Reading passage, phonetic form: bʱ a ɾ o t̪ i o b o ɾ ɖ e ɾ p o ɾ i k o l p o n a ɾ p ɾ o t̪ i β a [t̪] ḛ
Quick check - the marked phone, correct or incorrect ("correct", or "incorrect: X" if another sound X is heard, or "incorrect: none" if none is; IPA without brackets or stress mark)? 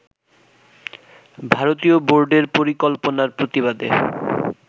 incorrect: d̪